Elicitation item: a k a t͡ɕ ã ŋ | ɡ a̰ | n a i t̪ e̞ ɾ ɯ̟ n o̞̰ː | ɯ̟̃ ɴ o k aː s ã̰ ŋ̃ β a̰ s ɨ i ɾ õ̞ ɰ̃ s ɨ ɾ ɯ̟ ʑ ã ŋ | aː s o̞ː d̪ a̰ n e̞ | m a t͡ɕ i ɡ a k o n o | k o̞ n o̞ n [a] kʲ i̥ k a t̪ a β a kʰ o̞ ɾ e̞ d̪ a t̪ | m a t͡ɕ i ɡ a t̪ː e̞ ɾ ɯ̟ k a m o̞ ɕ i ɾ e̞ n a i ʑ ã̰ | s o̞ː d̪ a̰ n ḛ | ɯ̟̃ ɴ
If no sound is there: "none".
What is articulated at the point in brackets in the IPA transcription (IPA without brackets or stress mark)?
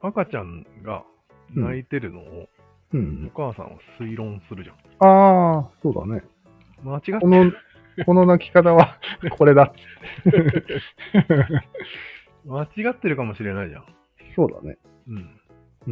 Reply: a